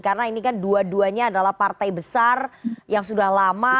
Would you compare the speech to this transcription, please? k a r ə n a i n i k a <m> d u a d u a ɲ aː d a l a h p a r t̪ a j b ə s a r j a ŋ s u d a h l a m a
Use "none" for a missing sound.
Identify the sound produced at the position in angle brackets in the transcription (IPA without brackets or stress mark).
n